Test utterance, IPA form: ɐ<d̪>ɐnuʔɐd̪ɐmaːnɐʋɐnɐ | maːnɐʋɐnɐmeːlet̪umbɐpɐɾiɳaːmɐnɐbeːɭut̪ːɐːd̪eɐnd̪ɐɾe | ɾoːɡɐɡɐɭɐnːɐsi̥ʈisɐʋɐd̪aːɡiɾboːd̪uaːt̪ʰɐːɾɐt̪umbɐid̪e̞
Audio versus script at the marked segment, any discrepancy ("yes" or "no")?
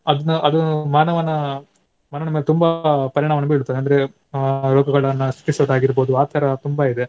no